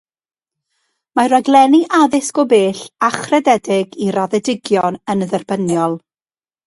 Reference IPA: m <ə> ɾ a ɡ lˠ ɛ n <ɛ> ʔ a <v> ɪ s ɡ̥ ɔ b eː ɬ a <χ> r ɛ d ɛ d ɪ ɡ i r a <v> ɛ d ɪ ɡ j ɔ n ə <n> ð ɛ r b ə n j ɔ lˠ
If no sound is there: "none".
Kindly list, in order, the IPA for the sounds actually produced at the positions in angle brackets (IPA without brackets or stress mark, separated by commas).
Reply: a, i, ð, χ, ð, n